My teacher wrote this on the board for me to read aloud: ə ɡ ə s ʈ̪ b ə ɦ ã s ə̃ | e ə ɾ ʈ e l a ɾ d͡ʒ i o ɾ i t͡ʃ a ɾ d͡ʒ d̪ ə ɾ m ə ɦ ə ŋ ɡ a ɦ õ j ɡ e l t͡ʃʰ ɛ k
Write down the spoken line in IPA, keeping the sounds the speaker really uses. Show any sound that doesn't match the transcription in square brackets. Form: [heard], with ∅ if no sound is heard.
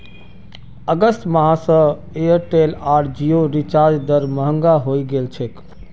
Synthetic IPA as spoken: ə ɡ ə s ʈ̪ [m] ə ɦ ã s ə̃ | e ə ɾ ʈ e l a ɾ d͡ʒ i o ɾ i t͡ʃ a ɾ d͡ʒ d̪ ə ɾ m ə ɦ ə ŋ ɡ a ɦ [o] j ɡ e l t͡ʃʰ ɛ k